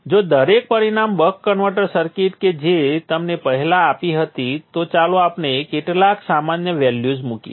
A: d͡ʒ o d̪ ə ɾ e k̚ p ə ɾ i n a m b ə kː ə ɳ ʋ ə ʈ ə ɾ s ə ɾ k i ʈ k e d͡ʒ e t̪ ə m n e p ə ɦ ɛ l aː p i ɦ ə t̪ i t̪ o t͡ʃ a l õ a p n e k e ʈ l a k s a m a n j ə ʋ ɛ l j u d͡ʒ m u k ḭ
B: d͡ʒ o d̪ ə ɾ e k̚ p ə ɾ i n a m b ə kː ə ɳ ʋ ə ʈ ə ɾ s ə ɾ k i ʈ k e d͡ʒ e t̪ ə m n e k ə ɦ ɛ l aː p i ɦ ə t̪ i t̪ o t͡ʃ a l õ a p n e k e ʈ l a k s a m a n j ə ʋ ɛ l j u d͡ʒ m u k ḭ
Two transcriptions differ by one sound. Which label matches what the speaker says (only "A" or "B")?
A